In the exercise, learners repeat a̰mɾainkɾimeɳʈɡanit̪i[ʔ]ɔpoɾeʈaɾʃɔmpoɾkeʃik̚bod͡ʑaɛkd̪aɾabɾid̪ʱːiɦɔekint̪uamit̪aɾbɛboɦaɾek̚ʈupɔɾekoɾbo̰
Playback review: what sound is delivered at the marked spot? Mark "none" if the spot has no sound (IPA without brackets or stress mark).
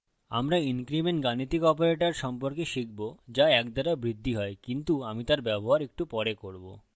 k